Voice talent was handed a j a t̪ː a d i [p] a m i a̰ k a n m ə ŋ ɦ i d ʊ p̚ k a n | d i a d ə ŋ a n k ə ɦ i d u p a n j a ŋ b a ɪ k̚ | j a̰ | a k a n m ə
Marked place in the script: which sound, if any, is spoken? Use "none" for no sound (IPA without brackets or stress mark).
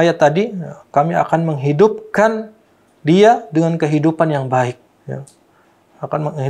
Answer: k